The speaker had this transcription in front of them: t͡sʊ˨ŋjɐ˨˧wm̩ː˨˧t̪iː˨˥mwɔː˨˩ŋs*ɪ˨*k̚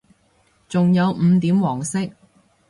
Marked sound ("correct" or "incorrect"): incorrect